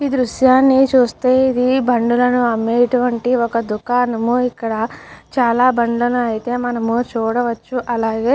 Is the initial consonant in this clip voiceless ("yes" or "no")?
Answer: no